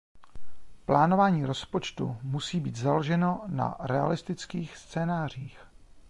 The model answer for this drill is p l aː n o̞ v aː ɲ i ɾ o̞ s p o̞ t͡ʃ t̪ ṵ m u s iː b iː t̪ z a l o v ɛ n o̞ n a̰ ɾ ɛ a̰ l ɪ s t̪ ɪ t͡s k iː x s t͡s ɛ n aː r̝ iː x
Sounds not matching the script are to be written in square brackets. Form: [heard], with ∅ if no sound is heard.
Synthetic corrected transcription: p l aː n o̞ v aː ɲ [iː] ɾ o̞ s p o̞ t͡ʃ t̪ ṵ m u s iː b iː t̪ z a l o [ʒ] ɛ n o̞ n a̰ ɾ ɛ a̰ l ɪ s t̪ ɪ t͡s k iː x s t͡s [ɛː] n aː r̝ iː x